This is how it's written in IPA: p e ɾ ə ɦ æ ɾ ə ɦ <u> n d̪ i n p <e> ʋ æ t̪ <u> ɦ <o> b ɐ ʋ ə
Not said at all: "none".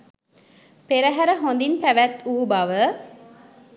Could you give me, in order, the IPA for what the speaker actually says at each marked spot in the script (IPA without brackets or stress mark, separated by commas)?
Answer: o, æ, u, u